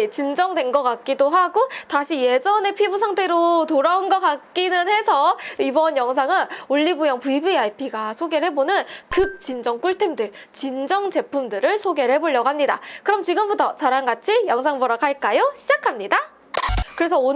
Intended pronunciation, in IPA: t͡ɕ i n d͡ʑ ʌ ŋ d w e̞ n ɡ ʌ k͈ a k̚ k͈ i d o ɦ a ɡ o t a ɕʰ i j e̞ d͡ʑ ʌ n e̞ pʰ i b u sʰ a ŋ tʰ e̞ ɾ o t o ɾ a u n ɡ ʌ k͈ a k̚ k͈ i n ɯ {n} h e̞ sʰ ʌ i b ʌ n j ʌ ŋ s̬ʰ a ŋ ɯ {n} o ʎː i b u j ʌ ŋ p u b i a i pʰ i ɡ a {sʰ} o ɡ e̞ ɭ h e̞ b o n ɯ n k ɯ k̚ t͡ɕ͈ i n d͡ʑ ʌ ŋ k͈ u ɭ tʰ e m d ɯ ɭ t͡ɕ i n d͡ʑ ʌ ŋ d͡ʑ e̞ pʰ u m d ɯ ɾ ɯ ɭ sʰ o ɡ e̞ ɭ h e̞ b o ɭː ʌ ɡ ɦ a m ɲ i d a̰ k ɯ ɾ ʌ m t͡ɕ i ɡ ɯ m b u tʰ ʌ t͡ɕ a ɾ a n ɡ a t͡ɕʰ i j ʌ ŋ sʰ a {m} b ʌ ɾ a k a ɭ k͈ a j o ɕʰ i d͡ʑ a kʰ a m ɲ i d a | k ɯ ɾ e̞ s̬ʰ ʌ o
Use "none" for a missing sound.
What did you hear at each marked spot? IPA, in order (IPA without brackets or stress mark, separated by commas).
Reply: n, n, sʰ, ŋ